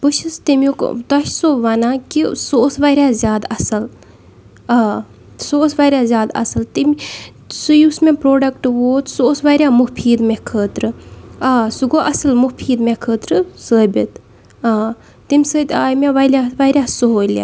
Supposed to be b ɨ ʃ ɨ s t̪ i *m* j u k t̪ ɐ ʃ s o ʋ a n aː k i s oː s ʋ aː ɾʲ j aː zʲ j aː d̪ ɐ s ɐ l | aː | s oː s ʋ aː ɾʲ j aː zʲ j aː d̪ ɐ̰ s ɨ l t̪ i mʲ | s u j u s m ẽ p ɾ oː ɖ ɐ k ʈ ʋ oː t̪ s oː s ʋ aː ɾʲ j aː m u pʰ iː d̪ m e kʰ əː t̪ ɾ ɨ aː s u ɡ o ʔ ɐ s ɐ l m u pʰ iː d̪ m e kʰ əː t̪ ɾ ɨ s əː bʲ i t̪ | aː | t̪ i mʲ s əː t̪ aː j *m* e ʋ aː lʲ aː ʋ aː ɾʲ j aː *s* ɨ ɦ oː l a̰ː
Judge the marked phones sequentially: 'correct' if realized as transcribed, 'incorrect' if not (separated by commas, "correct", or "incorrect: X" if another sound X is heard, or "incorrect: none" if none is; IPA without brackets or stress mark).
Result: correct, correct, correct